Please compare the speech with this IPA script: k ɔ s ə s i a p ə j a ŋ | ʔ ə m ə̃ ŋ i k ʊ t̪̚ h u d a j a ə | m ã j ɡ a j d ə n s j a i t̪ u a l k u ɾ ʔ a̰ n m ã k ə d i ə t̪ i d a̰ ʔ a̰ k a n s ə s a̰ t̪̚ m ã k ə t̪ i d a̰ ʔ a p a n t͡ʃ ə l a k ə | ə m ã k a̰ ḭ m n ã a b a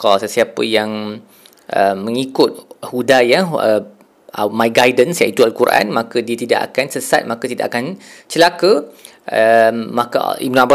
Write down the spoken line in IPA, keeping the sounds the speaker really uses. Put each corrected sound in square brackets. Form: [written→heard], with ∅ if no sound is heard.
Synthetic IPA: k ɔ s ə s i a p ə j a ŋ | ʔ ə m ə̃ ŋ i k ʊ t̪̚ h u d a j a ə | m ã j ɡ a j d ə n s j a i t̪ u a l k u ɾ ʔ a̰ n m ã k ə d i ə t̪ i d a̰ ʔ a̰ k a n s ə s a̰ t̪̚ m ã k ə t̪ i d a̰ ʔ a [p→k] a n t͡ʃ ə l a k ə | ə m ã k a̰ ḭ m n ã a b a